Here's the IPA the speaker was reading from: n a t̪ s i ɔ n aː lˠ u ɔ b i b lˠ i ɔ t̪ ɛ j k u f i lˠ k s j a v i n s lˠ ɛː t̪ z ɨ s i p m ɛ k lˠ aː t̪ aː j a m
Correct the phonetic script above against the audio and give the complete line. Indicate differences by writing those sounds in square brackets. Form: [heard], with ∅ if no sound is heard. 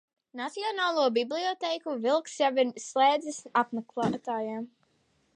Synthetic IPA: n a t̪ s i ɔ n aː lˠ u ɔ b i b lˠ i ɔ t̪ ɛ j k u [v] i lˠ k s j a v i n s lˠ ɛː [d̪] z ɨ s [a] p m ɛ k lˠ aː t̪ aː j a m